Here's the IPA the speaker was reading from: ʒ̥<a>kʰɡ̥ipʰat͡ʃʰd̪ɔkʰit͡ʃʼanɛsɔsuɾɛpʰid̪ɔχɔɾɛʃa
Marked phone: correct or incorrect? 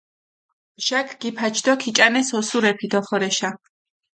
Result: correct